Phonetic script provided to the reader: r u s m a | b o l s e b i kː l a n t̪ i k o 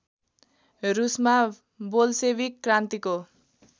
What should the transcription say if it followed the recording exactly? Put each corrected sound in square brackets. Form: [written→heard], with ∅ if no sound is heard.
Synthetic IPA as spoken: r u s m a | b o l s e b i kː [l→r] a n t̪ i k o